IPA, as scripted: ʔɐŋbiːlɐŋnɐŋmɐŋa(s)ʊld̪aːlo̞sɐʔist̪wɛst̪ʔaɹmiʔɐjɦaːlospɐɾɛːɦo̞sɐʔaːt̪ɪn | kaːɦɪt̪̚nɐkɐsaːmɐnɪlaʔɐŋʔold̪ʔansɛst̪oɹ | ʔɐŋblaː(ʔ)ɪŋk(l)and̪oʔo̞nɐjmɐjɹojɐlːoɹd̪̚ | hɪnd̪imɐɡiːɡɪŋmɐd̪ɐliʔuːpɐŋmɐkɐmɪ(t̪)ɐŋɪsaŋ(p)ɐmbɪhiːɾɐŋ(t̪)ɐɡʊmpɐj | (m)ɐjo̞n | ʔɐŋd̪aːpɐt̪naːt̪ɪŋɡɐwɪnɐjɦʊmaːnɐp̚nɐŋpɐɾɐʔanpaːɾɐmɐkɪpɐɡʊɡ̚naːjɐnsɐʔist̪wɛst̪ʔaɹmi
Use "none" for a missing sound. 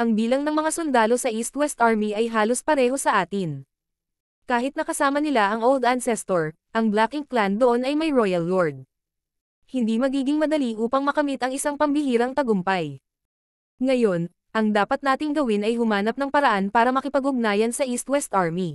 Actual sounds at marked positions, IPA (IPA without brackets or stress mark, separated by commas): s, k, l, t̪, p, t̪, ŋ